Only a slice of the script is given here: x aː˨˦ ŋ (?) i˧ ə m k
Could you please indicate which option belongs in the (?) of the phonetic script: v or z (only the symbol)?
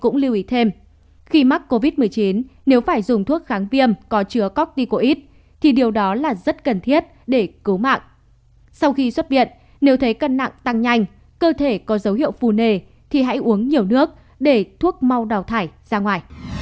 v